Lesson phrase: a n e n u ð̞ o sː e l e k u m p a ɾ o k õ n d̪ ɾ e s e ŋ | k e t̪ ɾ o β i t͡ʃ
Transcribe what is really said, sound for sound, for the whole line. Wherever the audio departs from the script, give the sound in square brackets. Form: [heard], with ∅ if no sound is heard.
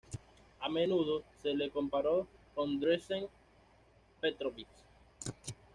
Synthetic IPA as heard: a [m] e n u ð̞ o [s] e l e k [o] m p a ɾ o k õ n d̪ ɾ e s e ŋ | [p] e t̪ ɾ o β i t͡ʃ